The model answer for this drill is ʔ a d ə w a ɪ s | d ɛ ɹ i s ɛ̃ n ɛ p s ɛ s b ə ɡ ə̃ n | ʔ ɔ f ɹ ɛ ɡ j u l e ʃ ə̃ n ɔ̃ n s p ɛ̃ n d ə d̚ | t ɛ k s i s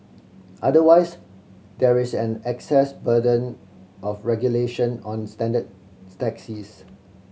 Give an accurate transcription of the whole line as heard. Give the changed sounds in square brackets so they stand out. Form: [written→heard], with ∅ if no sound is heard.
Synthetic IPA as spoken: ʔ a d ə w a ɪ s | d ɛ ɹ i s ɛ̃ n ɛ [p→k] s ɛ s b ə [ɡ→d] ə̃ n | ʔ ɔ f ɹ ɛ ɡ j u l e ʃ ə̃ n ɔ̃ n s [p→t] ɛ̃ n d ə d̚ | t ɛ k s i s